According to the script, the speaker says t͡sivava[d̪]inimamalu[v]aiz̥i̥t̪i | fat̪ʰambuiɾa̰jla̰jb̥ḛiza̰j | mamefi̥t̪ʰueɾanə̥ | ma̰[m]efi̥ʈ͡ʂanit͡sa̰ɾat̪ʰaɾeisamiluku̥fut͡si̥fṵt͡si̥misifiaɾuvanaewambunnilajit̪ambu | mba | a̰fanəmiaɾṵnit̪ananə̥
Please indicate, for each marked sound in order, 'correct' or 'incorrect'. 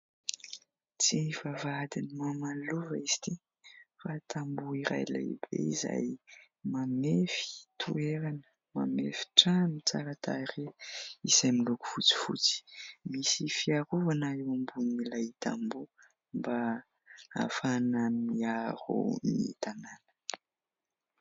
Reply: correct, correct, correct

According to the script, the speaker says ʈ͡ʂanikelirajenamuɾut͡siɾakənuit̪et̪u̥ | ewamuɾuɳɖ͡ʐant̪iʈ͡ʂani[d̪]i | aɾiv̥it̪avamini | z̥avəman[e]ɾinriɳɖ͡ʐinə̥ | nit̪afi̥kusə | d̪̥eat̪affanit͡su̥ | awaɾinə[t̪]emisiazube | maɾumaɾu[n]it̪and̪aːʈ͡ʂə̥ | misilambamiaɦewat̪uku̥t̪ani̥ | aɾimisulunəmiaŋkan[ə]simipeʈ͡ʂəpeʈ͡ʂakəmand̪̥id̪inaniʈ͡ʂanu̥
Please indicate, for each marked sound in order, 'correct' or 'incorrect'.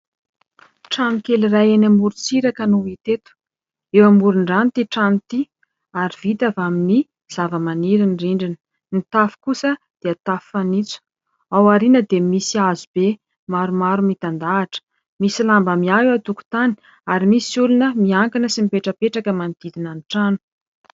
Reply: incorrect: t̪, incorrect: i, incorrect: d̪, incorrect: m, correct

